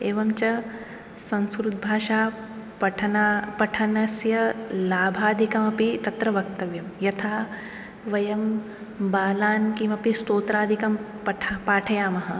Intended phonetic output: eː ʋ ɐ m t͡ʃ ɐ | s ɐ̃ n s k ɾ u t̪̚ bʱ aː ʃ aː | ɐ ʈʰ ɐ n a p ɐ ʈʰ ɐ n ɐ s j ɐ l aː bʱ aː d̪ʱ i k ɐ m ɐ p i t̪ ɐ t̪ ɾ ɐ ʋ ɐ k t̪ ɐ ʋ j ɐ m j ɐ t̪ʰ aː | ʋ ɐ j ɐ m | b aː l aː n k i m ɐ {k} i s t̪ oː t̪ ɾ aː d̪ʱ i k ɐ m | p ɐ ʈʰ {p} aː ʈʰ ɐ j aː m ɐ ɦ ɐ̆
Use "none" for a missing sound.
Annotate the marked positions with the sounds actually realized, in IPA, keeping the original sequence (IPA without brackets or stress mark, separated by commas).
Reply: p, p